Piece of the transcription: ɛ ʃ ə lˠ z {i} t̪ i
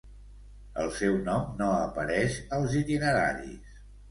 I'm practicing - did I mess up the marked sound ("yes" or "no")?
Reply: no